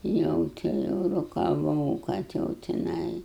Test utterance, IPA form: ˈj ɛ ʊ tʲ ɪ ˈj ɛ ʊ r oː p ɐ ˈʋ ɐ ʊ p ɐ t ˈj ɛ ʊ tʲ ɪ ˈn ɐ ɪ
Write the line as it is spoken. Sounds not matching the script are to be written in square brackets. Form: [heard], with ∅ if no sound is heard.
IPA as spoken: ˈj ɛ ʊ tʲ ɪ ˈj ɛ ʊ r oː [k] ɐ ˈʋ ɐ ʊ [k] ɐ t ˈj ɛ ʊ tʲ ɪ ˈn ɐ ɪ